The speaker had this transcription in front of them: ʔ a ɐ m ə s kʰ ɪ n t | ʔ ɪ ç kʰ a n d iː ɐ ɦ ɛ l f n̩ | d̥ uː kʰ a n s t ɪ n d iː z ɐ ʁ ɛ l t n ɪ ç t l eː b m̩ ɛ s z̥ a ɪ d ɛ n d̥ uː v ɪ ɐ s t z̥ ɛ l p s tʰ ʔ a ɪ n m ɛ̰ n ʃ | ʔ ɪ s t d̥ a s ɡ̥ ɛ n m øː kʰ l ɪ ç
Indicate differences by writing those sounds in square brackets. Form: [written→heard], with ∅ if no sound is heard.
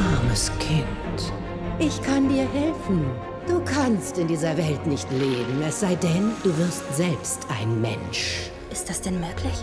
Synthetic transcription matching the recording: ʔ a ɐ m ə s kʰ ɪ n t | ʔ ɪ ç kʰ a n d iː ɐ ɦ ɛ l f n̩ | d̥ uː kʰ a n s t ɪ n d iː z ɐ [ʁ→v] ɛ l t n ɪ ç t l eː b m̩ ɛ s z̥ a ɪ d ɛ n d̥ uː v ɪ ɐ s t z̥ ɛ l p s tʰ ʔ a ɪ n m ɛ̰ n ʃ | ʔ ɪ s t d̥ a s [ɡ̥→d̥] ɛ n m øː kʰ l ɪ ç